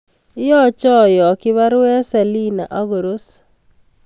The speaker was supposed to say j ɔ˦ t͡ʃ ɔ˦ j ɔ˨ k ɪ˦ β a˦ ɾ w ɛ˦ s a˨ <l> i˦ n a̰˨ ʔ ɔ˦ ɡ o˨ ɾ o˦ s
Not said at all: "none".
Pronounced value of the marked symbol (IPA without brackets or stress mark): l